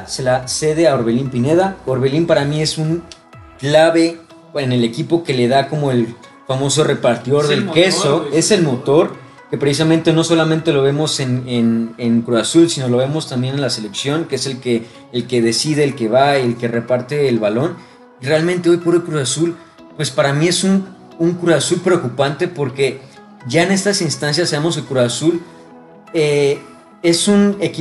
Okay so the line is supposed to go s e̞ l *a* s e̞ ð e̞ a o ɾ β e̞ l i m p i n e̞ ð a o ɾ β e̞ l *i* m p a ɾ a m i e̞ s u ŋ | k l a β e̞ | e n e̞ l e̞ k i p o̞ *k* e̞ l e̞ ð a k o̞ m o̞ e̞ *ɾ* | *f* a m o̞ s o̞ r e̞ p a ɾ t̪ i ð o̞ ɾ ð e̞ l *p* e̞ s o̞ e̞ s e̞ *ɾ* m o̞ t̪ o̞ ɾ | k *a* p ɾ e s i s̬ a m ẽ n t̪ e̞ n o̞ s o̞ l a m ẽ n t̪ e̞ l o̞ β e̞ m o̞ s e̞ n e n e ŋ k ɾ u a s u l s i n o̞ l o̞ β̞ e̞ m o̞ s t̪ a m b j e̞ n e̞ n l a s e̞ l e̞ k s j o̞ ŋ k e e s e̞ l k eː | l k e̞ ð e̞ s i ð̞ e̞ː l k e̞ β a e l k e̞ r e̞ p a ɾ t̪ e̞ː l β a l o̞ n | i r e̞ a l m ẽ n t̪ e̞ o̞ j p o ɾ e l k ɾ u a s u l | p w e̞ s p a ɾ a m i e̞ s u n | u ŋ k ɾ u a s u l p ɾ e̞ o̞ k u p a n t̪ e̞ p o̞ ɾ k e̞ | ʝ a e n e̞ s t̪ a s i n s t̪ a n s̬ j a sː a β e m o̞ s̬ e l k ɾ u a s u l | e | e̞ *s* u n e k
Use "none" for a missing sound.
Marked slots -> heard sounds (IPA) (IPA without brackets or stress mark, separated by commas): a, i, k, l, f, k, l, e, s